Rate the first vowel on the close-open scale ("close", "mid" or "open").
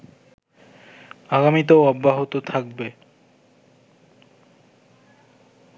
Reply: open